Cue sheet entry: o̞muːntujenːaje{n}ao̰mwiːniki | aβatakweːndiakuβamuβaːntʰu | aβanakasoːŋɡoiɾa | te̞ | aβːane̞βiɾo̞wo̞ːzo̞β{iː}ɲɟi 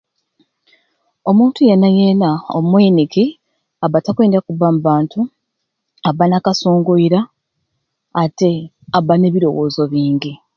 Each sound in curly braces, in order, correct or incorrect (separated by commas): correct, correct